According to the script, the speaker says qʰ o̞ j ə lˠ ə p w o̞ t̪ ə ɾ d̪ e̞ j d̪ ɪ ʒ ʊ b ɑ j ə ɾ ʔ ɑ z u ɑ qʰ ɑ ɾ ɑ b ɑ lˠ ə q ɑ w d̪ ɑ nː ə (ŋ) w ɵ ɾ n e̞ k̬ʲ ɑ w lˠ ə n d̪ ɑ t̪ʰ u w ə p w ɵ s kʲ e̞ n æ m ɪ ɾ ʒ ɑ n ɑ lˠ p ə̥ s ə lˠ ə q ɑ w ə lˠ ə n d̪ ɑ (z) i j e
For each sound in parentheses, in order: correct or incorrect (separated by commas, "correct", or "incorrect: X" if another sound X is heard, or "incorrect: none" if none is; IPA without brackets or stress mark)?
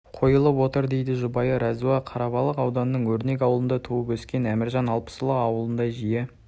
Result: incorrect: ɴ, incorrect: ʒ